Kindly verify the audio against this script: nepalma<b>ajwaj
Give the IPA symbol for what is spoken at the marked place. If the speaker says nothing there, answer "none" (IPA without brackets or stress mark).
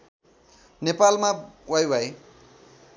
w